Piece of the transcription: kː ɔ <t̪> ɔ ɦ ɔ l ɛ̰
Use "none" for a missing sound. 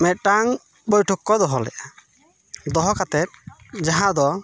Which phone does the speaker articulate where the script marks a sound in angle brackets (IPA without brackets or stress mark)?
d̪